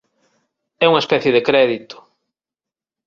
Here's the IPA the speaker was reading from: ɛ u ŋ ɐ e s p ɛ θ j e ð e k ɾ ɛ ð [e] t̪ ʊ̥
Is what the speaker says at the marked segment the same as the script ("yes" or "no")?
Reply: no